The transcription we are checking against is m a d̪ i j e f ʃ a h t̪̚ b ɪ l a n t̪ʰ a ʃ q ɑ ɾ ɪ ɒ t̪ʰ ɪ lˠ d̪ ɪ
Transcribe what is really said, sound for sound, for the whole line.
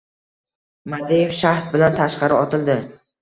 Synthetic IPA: m a d̪ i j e f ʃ a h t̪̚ b ɪ l a n t̪ʰ a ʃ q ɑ ɾ ɪ ɒ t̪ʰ ɪ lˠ d̪ ɪ

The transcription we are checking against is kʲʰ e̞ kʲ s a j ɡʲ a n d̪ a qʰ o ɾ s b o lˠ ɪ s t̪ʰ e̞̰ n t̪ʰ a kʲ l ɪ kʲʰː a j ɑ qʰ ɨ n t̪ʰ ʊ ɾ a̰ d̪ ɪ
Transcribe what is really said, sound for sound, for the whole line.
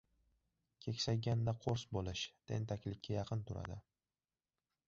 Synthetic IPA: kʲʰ e̞ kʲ s a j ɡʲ a n d̪ a qʰ o ɾ s b o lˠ ɪ ʃ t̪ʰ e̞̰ n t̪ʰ a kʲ l ɪ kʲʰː a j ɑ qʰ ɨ n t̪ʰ ʊ ɾ a̰ d̪ ɪ

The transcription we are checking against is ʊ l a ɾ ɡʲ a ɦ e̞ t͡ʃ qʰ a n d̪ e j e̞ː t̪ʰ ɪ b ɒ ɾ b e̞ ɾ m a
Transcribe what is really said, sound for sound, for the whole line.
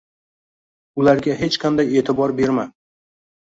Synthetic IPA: ʊ l a ɾ ɡʲ a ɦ e̞ t͡ʃ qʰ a n d̪ a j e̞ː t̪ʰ ɪ b ɒ ɾ b e̞ ɾ m a

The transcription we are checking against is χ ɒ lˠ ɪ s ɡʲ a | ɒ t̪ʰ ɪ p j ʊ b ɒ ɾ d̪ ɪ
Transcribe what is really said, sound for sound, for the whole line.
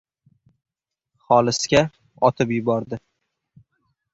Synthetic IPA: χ ɒ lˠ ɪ s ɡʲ a | ɒ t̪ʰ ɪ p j ʊ b ɒ ɾ d̪ ɪ

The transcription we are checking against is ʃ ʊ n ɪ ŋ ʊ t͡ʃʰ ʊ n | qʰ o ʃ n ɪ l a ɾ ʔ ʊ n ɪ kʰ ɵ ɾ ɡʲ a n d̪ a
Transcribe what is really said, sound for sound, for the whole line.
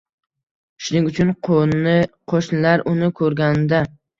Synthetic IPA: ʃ ʊ n ɪ ŋ ʊ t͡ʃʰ ʊ n | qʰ o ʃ n ɪ l a ɾ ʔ ʊ n ɪ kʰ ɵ ɾ ɡʲ a n d̪ a

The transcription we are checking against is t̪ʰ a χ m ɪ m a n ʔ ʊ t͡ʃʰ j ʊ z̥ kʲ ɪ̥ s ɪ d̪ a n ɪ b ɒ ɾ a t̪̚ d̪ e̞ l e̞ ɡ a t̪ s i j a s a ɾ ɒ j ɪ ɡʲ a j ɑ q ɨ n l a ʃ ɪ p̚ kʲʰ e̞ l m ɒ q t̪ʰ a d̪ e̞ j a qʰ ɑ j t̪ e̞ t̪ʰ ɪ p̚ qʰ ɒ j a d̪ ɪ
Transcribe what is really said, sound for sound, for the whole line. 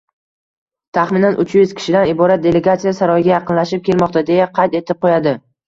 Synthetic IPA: t̪ʰ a χ m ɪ n a n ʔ ʊ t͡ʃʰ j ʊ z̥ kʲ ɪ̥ ʃ ɪ d̪ a n ɪ b ɒ ɾ a t̪̚ d̪ e̞ l e̞ ɡ a t̪ s i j a s a ɾ ɒ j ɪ ɡʲ a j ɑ q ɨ n l a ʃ ɪ p̚ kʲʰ e̞ l m ɒ q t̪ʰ a d̪ e̞ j a qʰ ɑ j t̪ e̞ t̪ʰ ɪ p̚ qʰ o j a d̪ ɪ

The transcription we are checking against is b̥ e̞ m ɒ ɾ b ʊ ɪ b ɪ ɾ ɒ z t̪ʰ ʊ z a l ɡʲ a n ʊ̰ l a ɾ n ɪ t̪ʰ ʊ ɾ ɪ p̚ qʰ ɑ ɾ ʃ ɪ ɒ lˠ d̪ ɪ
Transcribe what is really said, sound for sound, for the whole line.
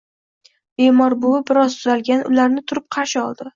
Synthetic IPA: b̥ e̞ m ɒ ɾ b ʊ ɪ b ɪ ɾ ɒ z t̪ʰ ʊ z a l ɡʲ a n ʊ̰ l a ɾ n ɪ t̪ʰ ʊ ɾ ɪ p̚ qʰ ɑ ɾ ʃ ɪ ɒ lˠ d̪ ɪ

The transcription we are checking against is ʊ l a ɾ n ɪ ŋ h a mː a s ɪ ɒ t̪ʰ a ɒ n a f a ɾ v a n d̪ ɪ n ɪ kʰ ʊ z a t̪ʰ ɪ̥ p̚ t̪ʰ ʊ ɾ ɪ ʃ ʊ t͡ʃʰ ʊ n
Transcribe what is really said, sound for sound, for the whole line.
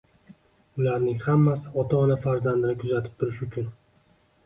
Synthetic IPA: ʊ l a ɾ n ɪ ŋ h a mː a s ɪ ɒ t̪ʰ a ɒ n a f a ɾ z a n d̪ ɪ n ɪ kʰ ʊ z a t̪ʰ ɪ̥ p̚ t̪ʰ ʊ ɾ ɪ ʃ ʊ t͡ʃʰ ʊ n

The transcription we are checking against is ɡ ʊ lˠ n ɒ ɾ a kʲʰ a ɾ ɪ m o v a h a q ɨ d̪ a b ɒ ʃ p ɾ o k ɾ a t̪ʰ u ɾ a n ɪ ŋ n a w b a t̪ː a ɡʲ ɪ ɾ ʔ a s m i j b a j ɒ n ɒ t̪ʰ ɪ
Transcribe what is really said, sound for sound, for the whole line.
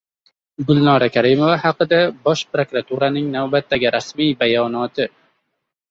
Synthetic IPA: ɡ ʊ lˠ n ɒ ɾ a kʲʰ a ɾ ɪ m o v a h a q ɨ d̪ a b ɒ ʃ p ɾ o k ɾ a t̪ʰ u ɾ a n ɪ ŋ n a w b a t̪ː a ɡʲ ɪ ɾ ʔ a s m i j b a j ɒ n ɒ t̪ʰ ɪ

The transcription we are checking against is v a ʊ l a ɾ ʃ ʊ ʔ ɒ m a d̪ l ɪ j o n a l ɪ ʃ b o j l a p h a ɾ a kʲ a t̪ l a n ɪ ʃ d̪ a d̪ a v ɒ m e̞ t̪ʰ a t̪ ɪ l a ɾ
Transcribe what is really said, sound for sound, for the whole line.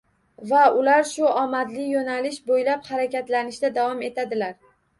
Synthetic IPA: v a ʊ l a ɾ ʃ ʊ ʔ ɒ m a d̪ l ɪ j o n a l ɪ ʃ b o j l a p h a ɾ a kʲ a t̪ l a n ɪ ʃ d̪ a d̪ a v ɒ m e̞ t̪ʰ a d̪ ɪ l a ɾ

